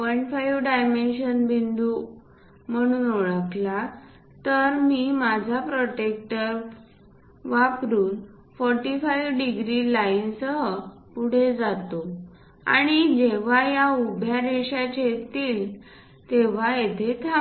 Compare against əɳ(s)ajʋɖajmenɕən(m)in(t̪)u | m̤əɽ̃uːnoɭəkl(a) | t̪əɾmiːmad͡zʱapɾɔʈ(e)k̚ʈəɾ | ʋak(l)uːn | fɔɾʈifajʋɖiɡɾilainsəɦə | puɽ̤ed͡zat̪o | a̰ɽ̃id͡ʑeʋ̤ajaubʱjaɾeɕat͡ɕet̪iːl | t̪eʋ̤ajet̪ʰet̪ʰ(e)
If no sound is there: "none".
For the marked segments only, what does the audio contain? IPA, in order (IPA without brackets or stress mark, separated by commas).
f, b, d̪, a, e, ɾ, a